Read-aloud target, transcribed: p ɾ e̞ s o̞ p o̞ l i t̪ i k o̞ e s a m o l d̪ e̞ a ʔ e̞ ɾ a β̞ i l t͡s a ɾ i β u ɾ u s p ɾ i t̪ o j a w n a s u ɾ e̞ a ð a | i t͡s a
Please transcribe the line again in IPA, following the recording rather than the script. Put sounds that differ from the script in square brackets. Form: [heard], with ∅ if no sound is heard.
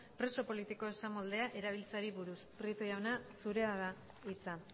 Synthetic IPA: p ɾ e̞ s o̞ p o̞ l i t̪ i k o̞ e s a m o l d̪ e̞ a ʔ e̞ ɾ a β̞ i l t͡s a ɾ i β u ɾ u s p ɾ i t̪ o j a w n a s u ɾ e̞ a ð a | i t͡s a